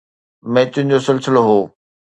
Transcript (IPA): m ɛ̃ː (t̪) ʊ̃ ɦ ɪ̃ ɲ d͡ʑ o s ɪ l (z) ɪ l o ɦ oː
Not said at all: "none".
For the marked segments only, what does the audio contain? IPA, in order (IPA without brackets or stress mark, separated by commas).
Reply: t̪, s